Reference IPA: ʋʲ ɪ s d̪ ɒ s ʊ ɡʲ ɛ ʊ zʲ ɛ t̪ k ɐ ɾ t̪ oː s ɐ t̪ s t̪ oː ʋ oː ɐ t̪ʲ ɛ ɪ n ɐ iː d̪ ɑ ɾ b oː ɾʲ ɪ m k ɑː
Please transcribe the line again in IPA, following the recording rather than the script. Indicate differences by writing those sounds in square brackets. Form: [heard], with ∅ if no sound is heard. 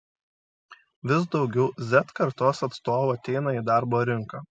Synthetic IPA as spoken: ʋʲ ɪ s d̪ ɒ [∅] ʊ ɡʲ ɛ ʊ zʲ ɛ t̪ k ɐ ɾ t̪ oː s ɐ t̪ s t̪ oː ʋ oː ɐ t̪ʲ ɛ ɪ n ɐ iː d̪ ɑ ɾ b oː ɾʲ ɪ [ŋ] k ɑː